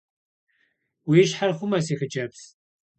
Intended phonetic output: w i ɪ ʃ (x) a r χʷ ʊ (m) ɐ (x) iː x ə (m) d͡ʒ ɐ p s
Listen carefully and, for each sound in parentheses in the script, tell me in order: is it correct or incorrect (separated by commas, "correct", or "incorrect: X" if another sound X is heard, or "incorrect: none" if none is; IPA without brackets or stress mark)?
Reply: incorrect: ħ, correct, incorrect: s, incorrect: none